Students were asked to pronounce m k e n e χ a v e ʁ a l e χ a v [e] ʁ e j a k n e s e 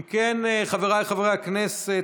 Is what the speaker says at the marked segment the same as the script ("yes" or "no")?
yes